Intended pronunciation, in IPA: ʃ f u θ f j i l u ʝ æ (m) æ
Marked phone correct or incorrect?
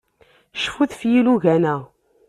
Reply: incorrect: n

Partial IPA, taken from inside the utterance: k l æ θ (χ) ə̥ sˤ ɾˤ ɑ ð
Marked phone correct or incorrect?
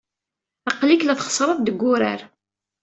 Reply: correct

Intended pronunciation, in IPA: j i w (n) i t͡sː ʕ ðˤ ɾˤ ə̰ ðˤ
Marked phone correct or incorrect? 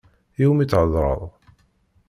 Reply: incorrect: m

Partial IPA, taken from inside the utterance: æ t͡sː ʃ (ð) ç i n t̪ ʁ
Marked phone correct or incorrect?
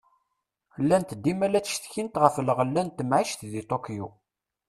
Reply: incorrect: θ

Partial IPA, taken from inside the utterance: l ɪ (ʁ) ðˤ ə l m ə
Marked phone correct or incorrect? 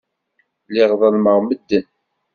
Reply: correct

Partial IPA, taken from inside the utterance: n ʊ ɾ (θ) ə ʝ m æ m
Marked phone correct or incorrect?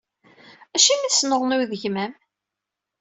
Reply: incorrect: ð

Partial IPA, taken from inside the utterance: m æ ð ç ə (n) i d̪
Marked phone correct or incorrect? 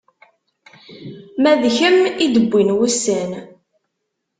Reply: incorrect: m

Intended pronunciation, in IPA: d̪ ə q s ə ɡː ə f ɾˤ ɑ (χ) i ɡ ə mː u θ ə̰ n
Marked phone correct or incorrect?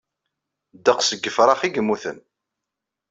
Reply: correct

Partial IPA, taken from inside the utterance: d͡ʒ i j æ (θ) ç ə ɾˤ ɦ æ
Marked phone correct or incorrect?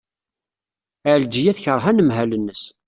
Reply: correct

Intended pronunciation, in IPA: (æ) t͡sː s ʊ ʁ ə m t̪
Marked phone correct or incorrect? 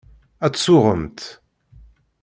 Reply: correct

